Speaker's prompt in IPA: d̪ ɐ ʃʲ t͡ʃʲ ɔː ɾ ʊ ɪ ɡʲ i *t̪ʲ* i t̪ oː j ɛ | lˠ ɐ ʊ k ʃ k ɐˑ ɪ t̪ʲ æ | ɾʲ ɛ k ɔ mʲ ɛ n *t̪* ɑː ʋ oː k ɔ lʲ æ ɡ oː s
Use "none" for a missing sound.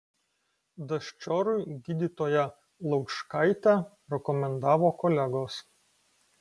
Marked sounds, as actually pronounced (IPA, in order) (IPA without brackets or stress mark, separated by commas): d̪ʲ, d̪